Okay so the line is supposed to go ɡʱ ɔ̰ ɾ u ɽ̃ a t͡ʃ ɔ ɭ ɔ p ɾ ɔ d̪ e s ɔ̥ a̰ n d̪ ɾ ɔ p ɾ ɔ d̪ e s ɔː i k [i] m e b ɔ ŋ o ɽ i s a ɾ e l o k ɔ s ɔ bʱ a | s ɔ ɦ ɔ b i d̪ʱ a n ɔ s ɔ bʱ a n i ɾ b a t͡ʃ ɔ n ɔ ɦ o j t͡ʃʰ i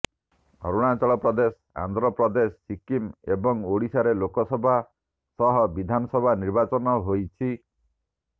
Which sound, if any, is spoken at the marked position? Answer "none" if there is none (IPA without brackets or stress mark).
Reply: i